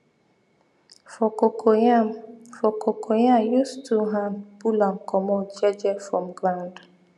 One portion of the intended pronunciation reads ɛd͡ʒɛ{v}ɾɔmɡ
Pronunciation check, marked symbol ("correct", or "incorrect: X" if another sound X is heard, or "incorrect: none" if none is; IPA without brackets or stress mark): incorrect: f